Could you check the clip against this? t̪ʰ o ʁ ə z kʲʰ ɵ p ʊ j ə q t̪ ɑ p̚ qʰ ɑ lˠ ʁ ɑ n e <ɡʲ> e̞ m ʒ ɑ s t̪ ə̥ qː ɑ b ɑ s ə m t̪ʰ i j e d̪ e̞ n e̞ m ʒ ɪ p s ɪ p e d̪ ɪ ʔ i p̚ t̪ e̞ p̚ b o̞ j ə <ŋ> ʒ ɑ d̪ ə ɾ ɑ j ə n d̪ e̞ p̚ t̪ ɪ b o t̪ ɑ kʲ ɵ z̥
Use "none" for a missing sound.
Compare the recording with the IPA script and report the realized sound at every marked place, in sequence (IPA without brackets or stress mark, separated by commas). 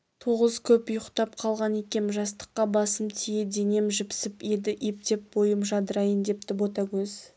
kʲ, m